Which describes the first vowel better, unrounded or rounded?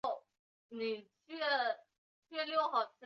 unrounded